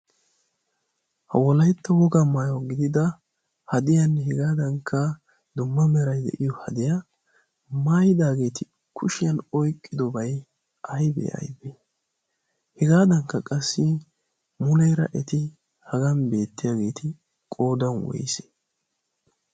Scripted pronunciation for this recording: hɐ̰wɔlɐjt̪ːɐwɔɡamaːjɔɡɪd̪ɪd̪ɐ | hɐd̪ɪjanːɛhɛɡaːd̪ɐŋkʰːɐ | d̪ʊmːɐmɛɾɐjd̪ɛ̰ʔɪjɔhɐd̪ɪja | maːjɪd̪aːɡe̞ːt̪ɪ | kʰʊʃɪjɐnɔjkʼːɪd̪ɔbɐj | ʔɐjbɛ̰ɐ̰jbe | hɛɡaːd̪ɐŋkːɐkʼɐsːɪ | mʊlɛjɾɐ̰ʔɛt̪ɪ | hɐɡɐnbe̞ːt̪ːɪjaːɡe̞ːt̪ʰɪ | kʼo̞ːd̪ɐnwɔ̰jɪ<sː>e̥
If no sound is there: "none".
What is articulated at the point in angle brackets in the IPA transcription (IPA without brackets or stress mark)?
s